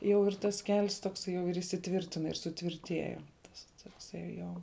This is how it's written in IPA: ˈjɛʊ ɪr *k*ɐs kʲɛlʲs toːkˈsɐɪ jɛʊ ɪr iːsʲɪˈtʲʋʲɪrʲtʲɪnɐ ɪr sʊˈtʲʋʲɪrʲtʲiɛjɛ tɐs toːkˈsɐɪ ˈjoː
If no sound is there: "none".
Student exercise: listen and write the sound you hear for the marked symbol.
t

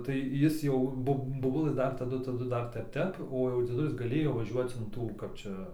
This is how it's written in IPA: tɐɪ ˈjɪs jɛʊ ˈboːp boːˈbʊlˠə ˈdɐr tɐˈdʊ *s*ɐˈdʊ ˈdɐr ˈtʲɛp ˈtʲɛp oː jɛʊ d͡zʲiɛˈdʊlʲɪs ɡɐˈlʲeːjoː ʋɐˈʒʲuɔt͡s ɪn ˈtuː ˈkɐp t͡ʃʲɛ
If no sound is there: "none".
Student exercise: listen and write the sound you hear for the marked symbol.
t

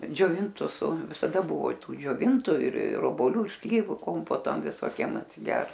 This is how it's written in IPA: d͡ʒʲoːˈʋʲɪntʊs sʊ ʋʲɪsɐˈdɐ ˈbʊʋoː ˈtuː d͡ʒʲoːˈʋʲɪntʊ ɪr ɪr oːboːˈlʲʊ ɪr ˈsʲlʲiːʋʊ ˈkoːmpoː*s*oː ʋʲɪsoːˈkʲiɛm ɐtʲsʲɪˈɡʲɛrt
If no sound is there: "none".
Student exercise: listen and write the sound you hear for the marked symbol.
t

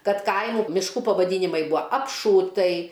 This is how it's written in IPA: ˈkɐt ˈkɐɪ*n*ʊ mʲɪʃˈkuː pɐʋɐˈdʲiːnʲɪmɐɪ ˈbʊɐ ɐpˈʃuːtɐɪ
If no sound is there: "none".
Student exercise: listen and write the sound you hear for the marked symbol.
m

